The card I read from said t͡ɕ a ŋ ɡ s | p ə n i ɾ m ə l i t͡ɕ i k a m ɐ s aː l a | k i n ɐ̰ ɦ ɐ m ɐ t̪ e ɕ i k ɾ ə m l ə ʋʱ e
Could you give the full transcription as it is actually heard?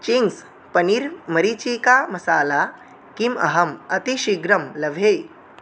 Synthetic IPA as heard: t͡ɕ i ŋ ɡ s | p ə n i ɾ m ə ɾ i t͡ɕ i k a m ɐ s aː l a | k i m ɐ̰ ɦ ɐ m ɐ t̪ i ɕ i ɡ ɾ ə m l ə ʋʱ e